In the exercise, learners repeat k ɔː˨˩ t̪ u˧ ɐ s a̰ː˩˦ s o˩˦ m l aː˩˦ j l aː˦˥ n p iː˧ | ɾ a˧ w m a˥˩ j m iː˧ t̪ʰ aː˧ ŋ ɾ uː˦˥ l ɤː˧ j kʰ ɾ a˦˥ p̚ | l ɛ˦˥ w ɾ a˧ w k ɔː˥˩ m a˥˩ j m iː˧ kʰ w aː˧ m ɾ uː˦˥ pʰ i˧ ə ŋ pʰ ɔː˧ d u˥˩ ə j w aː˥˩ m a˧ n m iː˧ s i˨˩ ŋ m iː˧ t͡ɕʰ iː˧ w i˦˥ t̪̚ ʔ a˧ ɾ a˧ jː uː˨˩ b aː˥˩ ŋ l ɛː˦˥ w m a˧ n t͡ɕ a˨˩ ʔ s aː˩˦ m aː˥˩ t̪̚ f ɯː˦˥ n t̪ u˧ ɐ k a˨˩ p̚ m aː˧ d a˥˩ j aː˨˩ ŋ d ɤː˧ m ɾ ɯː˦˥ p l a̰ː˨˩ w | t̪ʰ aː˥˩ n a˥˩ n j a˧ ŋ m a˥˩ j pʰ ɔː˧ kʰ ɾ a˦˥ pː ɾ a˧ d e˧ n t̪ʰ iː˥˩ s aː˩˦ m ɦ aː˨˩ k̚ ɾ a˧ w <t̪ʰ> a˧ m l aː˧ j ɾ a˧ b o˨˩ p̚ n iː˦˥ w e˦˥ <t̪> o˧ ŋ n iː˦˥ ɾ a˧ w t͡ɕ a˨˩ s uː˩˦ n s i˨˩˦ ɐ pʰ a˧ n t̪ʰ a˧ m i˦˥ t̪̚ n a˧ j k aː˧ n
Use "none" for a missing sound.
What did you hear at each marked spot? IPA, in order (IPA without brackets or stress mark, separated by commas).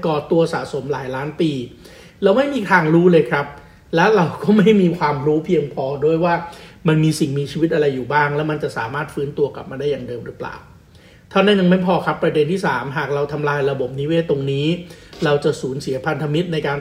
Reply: t̪ʰ, t̪